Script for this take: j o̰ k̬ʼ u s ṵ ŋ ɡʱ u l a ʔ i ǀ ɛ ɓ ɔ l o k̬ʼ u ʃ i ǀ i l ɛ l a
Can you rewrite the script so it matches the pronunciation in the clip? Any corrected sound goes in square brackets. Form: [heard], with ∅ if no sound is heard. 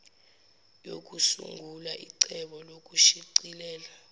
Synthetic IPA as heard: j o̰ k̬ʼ u s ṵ ŋ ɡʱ u l a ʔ i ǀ ɛ ɓ ɔ l o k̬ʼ u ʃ i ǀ i l [ɛː] l a